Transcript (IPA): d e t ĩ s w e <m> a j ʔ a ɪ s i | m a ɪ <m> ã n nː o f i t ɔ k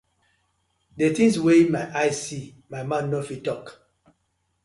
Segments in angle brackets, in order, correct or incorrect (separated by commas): correct, correct